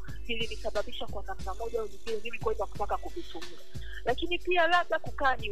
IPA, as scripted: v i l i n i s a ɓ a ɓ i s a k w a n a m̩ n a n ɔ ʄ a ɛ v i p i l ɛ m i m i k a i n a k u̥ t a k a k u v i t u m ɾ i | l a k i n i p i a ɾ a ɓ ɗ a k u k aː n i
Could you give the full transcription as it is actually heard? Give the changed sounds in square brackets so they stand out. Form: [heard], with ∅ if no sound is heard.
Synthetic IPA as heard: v i l i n i s a ɓ a ɓ i [ʃ] a k w a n a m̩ n a [m] ɔ ʄ a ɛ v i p i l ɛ m i m i k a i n a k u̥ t a k a k u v i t u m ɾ [a] | l a k i n i p i a [l] a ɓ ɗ a k u k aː n i